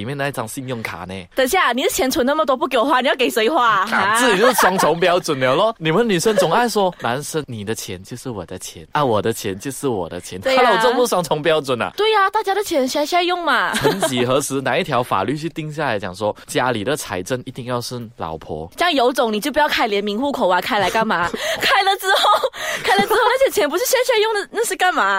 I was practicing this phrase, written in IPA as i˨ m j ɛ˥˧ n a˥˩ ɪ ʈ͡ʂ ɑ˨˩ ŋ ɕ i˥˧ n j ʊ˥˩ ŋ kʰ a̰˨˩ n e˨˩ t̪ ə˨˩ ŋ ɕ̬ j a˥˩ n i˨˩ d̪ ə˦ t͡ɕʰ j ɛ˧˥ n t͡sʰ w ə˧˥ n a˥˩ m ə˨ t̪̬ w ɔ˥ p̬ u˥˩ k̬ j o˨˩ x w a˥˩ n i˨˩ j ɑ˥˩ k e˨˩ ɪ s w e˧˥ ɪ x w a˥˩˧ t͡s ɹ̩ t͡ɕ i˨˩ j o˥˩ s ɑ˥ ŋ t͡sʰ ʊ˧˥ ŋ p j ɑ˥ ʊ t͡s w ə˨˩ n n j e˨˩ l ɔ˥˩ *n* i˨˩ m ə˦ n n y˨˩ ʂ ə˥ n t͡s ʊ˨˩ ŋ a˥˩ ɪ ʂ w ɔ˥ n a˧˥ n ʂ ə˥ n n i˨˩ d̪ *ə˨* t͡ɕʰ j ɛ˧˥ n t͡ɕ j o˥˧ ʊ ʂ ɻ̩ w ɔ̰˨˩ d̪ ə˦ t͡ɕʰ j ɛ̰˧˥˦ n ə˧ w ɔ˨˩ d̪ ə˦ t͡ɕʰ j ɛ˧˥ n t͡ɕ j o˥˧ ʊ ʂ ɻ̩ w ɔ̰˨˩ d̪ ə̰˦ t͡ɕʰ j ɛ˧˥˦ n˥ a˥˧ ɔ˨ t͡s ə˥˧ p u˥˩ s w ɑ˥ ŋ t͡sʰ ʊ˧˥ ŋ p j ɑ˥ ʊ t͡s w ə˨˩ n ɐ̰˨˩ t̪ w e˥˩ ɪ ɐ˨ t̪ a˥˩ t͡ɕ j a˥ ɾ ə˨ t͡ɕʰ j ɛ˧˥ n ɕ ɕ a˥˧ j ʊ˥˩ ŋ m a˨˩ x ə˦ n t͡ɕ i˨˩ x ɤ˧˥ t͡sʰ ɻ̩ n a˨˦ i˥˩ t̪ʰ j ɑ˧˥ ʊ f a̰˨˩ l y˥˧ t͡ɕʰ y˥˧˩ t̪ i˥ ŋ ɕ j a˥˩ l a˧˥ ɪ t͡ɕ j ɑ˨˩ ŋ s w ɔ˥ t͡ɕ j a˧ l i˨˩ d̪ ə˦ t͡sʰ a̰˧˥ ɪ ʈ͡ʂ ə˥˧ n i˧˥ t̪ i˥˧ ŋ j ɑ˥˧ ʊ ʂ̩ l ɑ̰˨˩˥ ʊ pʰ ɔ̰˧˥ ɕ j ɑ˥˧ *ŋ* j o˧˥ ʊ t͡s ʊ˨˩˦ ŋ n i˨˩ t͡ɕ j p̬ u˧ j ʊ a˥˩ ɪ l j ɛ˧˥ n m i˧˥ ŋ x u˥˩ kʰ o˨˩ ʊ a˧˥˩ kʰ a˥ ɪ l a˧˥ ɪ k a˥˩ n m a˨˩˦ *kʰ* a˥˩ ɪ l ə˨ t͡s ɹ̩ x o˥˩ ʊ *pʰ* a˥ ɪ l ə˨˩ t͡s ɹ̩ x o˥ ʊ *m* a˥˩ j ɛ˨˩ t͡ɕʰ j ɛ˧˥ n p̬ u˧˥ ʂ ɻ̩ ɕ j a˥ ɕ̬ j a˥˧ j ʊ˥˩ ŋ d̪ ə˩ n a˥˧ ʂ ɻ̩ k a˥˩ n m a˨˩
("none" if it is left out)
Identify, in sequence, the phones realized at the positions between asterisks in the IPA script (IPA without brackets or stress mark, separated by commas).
n, ə˦, ŋ, kʰ, kʰ, n